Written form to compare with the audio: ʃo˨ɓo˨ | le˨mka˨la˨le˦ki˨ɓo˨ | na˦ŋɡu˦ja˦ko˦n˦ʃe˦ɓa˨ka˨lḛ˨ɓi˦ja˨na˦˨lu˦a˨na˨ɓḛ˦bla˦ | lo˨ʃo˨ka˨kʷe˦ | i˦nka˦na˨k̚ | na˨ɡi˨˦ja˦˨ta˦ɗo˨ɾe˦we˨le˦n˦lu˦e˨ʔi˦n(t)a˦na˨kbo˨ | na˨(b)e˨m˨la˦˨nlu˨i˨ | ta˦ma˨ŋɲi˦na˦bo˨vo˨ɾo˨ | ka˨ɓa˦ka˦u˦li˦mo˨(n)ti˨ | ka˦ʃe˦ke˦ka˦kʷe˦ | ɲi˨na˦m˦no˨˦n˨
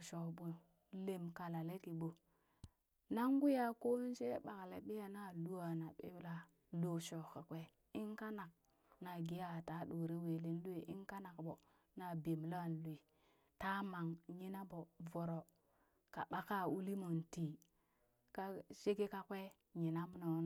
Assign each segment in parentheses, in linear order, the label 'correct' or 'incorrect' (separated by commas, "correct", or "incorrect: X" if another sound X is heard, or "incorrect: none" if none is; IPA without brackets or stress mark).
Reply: incorrect: k, correct, correct